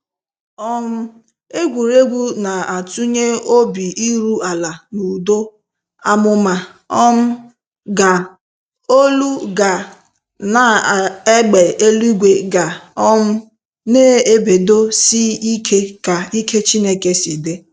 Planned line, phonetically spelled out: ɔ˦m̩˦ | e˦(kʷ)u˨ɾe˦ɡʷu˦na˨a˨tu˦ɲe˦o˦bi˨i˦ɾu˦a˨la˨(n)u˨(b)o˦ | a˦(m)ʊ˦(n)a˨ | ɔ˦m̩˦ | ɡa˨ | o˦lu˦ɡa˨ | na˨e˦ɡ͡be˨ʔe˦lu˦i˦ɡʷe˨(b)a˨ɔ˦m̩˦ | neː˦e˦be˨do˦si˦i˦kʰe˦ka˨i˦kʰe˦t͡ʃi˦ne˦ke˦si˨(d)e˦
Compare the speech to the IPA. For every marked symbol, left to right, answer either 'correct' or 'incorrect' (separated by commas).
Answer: incorrect, correct, incorrect, correct, incorrect, incorrect, correct